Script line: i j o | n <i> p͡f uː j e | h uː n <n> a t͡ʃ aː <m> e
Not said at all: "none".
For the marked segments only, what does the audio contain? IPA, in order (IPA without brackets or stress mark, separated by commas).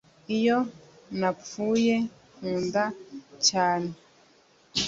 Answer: a, d, n